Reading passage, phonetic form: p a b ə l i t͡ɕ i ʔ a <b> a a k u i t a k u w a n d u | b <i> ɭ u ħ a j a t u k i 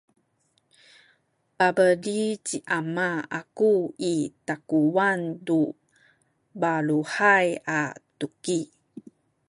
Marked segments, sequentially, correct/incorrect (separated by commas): incorrect, incorrect